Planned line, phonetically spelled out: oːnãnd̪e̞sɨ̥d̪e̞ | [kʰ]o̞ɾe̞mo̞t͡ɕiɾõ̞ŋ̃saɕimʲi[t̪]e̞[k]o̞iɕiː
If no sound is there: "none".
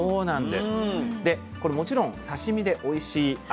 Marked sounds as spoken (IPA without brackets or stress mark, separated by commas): k, d̪, ʔ